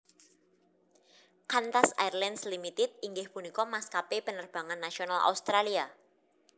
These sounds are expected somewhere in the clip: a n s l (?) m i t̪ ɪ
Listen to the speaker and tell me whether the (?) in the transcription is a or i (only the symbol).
i